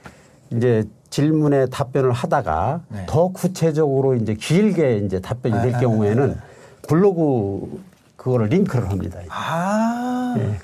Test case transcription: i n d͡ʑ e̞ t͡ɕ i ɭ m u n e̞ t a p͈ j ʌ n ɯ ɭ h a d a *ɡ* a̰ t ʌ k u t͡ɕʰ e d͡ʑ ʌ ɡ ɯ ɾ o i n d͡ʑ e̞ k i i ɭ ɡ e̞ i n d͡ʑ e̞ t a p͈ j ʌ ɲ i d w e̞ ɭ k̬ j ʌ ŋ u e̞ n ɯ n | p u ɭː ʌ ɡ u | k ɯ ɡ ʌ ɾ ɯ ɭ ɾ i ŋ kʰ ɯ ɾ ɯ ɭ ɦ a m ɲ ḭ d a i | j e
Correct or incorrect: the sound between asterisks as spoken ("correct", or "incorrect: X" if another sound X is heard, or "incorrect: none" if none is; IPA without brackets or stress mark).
correct